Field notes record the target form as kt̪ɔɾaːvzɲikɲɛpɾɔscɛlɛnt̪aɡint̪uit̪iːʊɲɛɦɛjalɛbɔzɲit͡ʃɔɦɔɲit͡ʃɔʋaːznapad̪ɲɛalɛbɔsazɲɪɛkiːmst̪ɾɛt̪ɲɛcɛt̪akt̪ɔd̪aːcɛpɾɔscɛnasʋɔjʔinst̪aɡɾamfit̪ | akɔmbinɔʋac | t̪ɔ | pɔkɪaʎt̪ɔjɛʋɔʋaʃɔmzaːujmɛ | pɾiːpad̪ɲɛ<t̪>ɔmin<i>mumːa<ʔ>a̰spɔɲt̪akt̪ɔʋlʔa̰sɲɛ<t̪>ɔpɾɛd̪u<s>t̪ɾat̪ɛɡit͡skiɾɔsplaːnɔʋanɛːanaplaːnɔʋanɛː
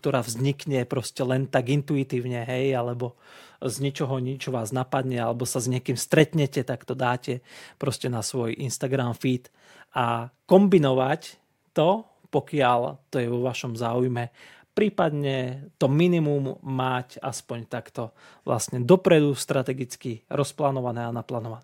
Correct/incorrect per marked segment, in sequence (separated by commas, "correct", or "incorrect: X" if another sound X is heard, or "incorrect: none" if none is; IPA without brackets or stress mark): correct, correct, incorrect: c, incorrect: d̪, correct